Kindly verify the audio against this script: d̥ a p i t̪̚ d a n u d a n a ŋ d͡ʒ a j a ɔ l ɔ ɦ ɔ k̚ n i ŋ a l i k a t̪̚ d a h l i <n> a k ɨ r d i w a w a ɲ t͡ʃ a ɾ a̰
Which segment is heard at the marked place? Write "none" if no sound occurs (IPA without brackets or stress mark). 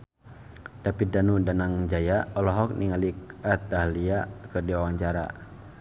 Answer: none